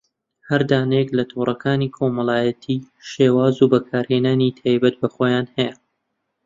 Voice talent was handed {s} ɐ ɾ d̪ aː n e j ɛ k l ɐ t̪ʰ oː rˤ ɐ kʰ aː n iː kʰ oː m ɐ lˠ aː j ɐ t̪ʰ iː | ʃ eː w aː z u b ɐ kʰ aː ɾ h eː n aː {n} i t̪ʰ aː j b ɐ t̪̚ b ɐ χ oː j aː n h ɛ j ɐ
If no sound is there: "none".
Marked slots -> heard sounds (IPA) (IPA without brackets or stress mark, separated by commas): h, n